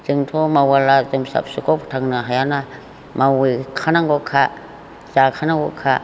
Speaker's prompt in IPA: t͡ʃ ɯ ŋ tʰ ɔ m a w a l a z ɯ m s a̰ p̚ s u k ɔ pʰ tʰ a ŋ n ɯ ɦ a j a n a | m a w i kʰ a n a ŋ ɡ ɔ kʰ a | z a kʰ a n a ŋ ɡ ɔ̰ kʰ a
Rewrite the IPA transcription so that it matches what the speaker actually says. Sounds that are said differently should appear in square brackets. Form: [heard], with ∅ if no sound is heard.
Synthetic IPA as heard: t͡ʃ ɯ ŋ tʰ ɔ m a w a l a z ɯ m s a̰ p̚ s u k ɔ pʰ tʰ a ŋ n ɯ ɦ a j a n a | m a w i kʰ a n a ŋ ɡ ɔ kʰ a | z a kʰ a n a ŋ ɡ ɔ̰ kʰ a